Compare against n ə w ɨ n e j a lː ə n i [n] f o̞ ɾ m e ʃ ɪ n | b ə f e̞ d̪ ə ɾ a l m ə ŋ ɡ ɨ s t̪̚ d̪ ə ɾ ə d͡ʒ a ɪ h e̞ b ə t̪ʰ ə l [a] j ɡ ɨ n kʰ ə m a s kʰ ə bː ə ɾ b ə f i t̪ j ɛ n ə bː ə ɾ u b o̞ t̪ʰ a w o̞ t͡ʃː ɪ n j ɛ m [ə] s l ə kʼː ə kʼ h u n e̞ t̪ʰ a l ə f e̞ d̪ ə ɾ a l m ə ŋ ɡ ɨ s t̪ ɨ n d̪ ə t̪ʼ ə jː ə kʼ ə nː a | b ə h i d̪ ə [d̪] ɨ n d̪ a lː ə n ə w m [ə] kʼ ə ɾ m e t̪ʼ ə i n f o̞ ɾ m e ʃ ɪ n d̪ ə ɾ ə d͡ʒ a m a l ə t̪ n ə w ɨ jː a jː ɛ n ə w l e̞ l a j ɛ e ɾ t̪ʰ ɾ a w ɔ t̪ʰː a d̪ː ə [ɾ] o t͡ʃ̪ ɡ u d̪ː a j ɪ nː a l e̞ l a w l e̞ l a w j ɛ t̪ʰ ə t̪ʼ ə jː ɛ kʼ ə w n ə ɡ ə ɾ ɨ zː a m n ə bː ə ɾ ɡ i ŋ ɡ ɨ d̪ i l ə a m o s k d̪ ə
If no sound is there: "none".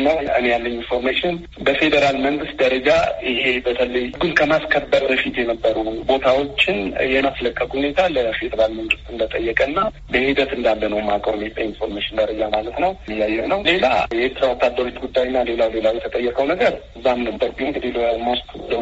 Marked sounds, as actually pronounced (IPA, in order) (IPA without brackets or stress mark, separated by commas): n, ə, a, t̪, a, ɾ